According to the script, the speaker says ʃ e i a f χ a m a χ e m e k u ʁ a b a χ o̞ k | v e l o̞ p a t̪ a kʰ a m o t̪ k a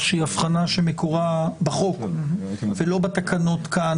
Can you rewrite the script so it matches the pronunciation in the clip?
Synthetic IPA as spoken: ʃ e i a f χ a n a ʃ e m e k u ʁ a b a χ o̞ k | v e l o̞ b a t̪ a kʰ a n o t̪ k a